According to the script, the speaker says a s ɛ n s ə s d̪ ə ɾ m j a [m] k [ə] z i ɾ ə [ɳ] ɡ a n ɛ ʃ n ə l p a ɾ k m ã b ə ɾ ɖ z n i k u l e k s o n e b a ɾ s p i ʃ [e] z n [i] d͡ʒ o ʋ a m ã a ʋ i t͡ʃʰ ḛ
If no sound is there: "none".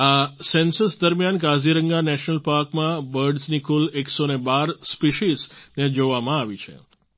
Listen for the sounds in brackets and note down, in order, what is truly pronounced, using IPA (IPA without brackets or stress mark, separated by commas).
n, a, ŋ, i, e